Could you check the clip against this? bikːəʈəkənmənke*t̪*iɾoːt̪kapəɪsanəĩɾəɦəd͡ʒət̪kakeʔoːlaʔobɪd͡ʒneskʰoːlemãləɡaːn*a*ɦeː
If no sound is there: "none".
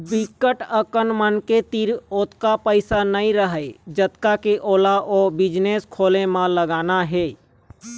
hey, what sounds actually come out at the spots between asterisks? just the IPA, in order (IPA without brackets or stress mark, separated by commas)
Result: t̪, a